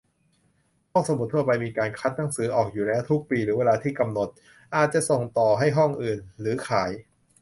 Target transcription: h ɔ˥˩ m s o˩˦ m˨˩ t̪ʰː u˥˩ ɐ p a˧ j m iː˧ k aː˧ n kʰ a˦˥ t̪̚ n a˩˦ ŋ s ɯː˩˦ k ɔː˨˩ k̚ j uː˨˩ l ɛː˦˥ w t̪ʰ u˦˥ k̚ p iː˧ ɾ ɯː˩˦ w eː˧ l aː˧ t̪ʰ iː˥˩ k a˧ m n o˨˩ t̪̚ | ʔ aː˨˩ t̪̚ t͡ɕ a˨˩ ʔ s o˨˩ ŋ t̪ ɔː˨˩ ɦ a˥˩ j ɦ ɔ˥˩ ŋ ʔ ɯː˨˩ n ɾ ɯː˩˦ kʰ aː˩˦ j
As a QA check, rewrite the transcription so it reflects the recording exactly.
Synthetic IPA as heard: h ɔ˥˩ ŋ s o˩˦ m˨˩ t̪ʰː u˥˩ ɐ p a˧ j m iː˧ k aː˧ n kʰ a˦˥ t̪̚ n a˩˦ ŋ s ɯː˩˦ ʔ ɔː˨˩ k̚ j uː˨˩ l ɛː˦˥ w t̪ʰ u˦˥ k̚ p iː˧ ɾ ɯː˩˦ w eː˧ l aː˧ t̪ʰ iː˥˩ k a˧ m n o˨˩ t̪̚ | ʔ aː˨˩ t̪̚ t͡ɕ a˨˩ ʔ s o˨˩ ŋ t̪ ɔː˨˩ ɦ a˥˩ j ɦ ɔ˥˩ ŋ ʔ ɯː˨˩ n ɾ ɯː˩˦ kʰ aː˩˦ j